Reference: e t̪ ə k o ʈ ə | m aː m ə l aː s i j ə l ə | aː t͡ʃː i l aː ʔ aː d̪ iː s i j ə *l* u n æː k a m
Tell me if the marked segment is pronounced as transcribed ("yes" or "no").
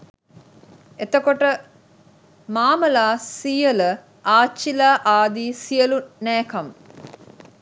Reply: yes